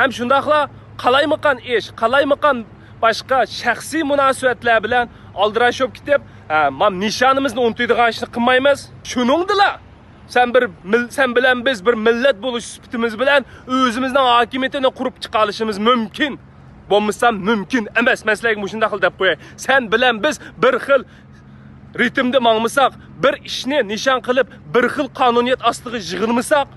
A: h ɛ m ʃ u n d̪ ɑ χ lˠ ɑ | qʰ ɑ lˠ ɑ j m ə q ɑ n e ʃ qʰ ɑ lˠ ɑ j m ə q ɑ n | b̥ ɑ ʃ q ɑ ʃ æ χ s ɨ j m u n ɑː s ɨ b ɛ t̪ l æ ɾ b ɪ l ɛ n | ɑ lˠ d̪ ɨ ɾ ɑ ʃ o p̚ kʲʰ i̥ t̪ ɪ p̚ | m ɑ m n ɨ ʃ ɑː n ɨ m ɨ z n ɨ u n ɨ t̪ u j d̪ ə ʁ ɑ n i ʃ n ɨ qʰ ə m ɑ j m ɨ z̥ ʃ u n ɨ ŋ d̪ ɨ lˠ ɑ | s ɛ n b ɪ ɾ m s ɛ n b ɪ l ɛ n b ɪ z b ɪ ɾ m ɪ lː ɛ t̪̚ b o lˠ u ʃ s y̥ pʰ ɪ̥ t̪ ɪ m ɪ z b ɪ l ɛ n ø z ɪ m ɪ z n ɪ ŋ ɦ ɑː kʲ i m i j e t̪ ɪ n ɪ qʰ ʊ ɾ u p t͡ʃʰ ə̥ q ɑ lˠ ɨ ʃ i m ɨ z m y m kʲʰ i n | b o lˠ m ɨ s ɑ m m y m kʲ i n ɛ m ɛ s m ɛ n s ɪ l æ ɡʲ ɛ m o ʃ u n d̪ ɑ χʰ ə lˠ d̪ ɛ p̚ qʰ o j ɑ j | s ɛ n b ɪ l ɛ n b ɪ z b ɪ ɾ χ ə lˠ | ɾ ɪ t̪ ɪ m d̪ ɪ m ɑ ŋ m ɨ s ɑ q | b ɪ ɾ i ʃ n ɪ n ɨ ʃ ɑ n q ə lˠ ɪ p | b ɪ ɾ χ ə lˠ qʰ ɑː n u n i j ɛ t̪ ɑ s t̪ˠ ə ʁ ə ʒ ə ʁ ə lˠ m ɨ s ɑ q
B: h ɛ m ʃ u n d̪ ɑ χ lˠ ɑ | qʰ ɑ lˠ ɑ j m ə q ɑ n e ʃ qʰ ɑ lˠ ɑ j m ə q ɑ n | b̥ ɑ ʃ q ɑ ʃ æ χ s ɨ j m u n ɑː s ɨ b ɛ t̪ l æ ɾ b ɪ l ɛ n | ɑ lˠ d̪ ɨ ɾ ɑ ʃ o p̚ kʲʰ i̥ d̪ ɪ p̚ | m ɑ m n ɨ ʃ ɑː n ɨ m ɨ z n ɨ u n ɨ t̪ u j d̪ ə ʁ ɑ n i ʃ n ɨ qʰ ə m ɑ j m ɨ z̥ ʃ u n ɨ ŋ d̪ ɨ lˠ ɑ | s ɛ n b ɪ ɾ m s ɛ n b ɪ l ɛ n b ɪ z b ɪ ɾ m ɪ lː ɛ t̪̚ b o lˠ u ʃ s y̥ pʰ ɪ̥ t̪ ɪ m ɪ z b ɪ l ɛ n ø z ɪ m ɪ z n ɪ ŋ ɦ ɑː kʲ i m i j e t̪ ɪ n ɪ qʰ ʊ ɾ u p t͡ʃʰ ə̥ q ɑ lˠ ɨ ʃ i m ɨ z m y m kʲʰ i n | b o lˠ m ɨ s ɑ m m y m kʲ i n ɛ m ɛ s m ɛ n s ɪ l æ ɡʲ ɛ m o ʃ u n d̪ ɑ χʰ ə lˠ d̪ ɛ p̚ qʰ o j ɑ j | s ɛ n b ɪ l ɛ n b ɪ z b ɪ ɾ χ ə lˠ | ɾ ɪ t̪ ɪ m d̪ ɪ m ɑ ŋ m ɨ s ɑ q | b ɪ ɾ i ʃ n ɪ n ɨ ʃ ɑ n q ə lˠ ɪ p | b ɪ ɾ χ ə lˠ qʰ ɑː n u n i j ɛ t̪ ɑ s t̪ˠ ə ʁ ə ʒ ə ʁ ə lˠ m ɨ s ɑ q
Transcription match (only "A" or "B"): A